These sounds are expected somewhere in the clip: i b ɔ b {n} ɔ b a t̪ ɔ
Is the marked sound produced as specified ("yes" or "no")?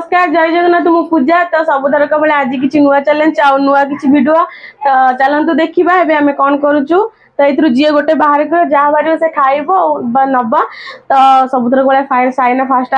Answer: yes